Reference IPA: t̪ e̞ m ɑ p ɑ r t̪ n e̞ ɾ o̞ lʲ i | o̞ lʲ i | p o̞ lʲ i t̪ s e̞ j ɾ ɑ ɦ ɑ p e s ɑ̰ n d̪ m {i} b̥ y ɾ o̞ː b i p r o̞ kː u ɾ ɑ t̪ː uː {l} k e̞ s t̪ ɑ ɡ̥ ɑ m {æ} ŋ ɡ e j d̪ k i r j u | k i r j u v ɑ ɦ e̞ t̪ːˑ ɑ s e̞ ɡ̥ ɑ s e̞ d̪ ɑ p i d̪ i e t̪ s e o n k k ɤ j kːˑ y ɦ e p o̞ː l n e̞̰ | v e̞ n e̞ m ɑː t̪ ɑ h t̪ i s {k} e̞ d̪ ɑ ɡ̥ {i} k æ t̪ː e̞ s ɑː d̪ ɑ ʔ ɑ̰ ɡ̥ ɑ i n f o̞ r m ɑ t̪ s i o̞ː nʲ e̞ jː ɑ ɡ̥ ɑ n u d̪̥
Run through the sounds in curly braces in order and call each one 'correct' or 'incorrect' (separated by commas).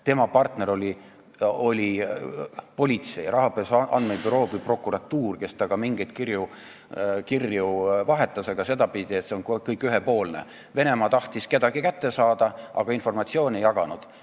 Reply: incorrect, incorrect, incorrect, correct, correct